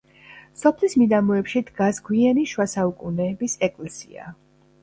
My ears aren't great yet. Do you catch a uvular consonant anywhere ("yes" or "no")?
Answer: no